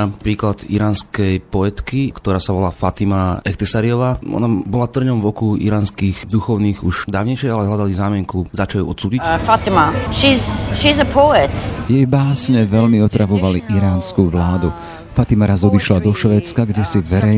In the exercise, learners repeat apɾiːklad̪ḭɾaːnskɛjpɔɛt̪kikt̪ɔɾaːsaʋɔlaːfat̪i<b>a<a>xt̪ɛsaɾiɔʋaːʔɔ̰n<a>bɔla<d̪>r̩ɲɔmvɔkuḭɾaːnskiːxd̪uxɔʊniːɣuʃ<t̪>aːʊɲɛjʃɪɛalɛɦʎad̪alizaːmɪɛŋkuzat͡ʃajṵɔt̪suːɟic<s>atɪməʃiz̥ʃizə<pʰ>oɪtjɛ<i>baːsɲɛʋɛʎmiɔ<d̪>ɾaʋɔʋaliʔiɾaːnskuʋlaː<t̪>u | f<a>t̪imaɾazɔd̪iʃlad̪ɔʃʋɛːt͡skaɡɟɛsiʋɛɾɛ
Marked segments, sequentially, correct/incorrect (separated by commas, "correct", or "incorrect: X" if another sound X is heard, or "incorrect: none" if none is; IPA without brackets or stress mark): incorrect: m, incorrect: ɛ, correct, incorrect: t̪, incorrect: d̪, incorrect: f, correct, incorrect: j, incorrect: t̪, incorrect: d̪, correct